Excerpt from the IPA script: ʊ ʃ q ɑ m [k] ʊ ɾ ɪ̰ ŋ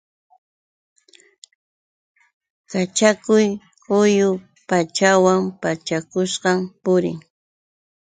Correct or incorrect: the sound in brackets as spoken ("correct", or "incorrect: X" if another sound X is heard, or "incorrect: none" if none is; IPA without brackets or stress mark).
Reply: incorrect: p